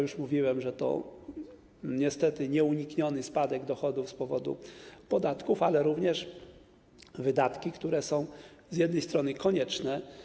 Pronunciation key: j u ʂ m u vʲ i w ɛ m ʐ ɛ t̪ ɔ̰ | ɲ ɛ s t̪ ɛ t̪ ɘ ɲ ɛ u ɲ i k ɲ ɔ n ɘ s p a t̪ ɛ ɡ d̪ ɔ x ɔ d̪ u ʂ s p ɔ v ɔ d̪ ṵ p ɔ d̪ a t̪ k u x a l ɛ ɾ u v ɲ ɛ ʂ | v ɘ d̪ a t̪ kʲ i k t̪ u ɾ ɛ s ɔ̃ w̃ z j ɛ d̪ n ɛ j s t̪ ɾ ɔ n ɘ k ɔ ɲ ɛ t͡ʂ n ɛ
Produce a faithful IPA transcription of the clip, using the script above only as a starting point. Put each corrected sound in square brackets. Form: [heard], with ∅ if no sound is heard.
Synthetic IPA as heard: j u ʂ m u vʲ i w ɛ m ʐ ɛ t̪ ɔ̰ | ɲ ɛ s t̪ ɛ t̪ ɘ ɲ ɛ u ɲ i k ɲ ɔ n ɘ s p a [d̪] ɛ ɡ d̪ ɔ x ɔ d̪ u [f] s p ɔ v ɔ d̪ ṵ p ɔ d̪ a t̪ k u [f] a l ɛ ɾ u v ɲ ɛ ʂ | v ɘ d̪ a t̪ kʲ i k t̪ u ɾ ɛ s ɔ̃ w̃ z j ɛ d̪ n ɛ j s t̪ ɾ ɔ n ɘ k ɔ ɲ ɛ t͡ʂ n ɛ